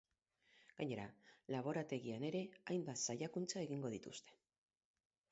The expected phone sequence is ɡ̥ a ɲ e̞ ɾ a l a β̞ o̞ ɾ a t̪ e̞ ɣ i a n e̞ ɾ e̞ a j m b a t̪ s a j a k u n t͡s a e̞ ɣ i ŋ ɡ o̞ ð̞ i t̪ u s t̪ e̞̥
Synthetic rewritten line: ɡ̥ a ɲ e̞ ɾ a l a β̞ o̞ ɾ a t̪ e̞ ɣ i a n e̞ ɾ e̞ a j m b a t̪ s a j a k u n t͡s a e̞ ɣ i ŋ ɡ o̞ ð̞ i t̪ u s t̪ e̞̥